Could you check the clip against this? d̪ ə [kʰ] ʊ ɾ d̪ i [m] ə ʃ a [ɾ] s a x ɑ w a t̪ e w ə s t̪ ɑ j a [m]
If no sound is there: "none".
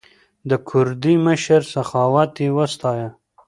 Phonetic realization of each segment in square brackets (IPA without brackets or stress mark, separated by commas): kʰ, m, ɾ, none